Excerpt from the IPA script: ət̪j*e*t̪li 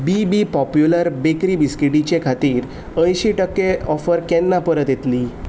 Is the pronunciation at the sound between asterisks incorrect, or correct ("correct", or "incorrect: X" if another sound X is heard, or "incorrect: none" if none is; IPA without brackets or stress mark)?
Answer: correct